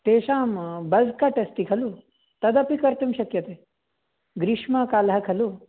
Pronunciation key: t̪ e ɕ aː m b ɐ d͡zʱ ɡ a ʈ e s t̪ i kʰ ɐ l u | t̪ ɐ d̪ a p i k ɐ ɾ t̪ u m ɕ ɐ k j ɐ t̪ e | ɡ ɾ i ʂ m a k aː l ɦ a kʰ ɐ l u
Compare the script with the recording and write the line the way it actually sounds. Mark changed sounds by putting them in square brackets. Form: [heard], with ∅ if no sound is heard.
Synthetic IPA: t̪ e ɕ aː m b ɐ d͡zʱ [k] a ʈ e s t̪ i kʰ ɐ l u | t̪ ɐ d̪ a p i k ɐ ɾ t̪ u m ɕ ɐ k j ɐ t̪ e | ɡ ɾ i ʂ m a k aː l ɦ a kʰ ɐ l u